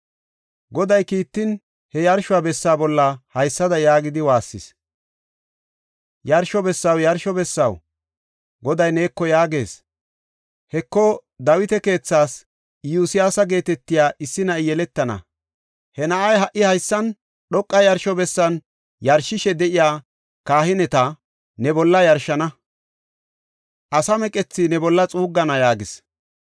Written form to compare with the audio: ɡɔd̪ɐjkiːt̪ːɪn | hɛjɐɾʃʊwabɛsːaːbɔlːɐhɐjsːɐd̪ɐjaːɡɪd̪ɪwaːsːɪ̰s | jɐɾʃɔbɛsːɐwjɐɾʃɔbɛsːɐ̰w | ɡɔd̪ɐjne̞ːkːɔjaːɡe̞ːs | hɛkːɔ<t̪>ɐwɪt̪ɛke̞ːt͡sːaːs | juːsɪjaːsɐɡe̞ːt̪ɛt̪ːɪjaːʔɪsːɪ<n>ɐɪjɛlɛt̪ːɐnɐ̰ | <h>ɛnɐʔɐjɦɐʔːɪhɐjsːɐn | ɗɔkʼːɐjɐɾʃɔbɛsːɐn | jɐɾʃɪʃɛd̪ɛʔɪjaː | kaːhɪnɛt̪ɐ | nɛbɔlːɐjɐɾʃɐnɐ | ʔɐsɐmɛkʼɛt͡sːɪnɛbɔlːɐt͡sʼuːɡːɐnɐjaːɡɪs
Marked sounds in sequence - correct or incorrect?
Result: incorrect: d̪, correct, correct

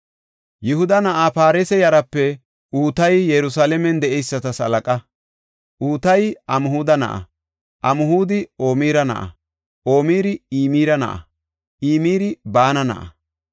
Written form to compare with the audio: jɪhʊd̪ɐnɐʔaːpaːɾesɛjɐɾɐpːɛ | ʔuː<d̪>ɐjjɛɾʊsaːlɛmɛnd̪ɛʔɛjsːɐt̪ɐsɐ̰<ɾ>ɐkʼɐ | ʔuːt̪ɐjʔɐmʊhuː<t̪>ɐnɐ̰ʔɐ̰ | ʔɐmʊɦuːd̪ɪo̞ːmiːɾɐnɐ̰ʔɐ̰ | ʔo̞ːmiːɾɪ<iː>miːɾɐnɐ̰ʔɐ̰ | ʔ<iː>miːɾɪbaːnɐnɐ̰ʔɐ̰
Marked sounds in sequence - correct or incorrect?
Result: incorrect: t̪, incorrect: l, incorrect: d̪, correct, correct

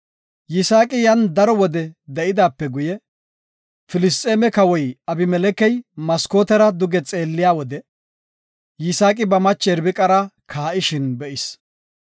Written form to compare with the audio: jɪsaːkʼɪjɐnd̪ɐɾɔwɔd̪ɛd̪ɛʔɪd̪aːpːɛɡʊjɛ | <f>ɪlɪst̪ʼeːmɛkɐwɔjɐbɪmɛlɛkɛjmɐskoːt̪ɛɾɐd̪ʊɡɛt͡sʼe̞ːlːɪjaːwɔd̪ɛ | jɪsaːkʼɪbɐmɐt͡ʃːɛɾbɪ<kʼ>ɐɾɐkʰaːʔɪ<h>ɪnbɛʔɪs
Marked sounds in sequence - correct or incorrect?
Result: correct, correct, incorrect: ʃ

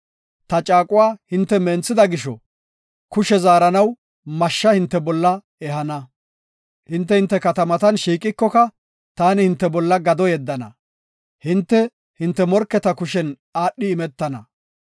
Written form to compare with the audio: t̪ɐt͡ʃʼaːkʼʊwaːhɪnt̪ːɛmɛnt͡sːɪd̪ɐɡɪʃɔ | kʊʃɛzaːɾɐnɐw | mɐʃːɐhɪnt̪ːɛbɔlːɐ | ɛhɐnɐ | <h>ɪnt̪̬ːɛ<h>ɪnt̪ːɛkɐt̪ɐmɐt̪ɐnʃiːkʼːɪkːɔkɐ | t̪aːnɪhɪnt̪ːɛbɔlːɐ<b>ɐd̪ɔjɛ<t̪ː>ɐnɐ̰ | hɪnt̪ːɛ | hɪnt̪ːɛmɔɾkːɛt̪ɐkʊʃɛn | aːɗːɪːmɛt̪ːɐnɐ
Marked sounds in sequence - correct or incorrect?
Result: correct, correct, incorrect: ɡ, incorrect: d̪ː

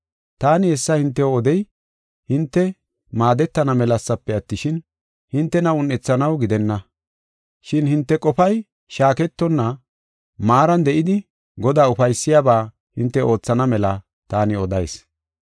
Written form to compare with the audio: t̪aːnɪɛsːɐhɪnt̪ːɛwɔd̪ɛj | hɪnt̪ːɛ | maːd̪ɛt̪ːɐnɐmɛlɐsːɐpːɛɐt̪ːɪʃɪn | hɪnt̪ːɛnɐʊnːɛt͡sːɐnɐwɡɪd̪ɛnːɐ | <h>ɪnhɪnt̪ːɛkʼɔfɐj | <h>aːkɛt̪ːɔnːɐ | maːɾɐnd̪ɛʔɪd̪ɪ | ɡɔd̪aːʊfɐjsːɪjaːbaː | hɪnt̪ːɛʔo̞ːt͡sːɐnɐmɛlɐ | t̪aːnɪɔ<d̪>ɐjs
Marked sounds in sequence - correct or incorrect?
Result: incorrect: ʃ, incorrect: ʃ, correct

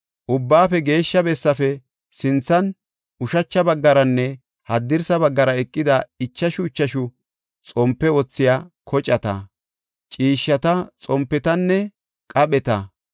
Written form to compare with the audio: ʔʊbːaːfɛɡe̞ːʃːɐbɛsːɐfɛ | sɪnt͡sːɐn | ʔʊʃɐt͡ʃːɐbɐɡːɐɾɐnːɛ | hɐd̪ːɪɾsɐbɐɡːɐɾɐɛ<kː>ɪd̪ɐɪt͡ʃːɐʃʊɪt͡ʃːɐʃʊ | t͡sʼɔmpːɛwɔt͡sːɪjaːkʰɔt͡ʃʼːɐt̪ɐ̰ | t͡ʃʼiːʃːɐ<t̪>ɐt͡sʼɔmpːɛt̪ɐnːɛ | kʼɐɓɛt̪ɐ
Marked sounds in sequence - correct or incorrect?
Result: incorrect: kʼː, correct

